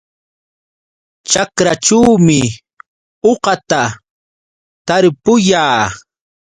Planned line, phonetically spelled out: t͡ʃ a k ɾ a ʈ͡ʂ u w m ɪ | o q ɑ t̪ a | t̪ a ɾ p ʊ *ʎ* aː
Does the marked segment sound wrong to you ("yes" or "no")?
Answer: yes